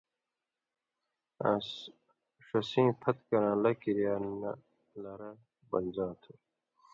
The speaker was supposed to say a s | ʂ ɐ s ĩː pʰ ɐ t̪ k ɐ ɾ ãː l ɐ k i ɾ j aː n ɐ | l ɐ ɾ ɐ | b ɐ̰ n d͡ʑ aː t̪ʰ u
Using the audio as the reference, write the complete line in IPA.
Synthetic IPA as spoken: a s | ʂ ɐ s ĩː pʰ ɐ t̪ k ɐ ɾ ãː l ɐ k i ɾ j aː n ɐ | l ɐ ɾ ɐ | b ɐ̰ n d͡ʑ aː t̪ʰ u